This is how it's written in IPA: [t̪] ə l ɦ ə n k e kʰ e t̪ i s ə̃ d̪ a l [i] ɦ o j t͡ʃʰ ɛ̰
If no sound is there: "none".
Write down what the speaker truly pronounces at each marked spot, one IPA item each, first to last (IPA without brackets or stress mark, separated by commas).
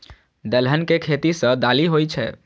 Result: d̪, i